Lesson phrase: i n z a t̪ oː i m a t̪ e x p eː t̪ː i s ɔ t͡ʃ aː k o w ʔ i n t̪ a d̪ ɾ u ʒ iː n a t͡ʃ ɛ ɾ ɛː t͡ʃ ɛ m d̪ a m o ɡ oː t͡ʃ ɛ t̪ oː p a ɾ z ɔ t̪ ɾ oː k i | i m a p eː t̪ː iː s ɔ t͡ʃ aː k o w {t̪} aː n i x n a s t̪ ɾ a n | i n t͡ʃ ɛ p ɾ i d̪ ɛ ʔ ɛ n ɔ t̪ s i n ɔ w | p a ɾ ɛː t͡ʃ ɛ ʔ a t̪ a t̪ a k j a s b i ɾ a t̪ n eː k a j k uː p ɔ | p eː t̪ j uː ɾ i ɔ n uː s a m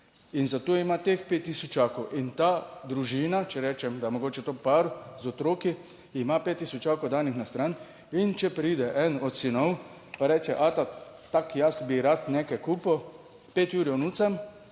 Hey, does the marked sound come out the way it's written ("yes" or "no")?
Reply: no